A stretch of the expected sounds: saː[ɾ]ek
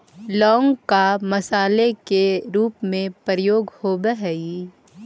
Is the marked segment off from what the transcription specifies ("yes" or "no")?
yes